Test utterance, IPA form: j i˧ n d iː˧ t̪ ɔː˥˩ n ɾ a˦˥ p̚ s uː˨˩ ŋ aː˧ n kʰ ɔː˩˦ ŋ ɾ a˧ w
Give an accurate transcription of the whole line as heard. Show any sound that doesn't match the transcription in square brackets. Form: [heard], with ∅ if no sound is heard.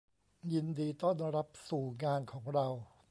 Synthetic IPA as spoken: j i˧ n d iː˧ t̪ ɔː˥˩ n ɾ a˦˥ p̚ s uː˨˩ ŋ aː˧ n kʰ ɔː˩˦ ŋ ɾ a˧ w